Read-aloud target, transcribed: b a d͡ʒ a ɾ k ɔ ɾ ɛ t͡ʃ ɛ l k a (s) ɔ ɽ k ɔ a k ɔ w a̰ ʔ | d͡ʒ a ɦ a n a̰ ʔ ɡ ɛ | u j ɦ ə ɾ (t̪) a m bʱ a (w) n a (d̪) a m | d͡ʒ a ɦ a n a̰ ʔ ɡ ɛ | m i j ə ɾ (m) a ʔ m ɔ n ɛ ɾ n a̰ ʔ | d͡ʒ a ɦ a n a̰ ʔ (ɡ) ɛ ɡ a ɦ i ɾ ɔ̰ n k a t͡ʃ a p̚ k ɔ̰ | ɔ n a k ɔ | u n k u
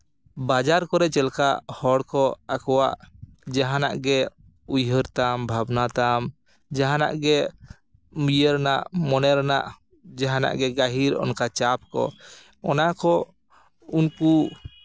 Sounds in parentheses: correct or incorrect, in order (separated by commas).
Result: incorrect, correct, incorrect, incorrect, incorrect, correct